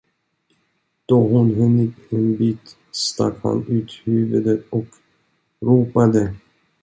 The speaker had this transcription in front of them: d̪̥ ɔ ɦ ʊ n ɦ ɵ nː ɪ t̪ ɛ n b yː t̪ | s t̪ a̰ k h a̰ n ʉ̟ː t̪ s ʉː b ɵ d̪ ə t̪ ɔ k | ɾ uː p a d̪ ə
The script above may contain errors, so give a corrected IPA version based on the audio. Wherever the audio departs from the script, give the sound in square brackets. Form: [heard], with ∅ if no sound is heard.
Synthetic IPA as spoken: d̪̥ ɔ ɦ ʊ n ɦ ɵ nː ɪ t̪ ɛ n b [iː] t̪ | s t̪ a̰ k h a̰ n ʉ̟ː t̪ [h] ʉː [v] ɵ d̪ ə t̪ ɔ k | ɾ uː p a d̪ ə